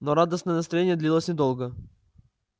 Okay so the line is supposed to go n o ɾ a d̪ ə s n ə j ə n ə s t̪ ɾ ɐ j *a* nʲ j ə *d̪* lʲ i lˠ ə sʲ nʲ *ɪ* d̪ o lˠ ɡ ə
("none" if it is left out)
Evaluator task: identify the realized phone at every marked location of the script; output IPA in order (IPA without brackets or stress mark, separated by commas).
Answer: e, d̪, ɪ